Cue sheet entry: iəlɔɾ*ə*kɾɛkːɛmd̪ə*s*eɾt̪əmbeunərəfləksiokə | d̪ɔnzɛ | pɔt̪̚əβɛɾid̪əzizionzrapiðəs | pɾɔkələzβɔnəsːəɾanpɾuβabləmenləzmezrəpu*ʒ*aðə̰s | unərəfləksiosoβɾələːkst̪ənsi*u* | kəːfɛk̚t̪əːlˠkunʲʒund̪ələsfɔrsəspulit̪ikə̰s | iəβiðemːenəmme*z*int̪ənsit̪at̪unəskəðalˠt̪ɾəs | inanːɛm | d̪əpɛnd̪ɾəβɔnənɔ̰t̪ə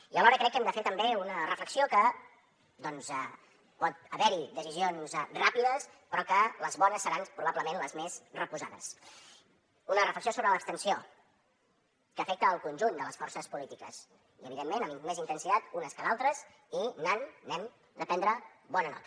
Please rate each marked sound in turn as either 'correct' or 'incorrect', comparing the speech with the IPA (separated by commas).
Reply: correct, incorrect, incorrect, incorrect, correct